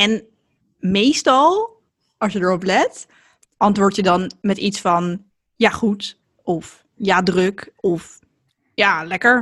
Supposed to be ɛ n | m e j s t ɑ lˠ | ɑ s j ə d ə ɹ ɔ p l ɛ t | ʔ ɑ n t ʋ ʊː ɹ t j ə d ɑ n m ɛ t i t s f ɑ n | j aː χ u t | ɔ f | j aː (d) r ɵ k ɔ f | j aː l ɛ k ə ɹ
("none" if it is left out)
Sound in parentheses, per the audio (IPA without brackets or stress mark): d